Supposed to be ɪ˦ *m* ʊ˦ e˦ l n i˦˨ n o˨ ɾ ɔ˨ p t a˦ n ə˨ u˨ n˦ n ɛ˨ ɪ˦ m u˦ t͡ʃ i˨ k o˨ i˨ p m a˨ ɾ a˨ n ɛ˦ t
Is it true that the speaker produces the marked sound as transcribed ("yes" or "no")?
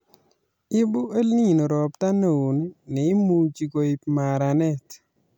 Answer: no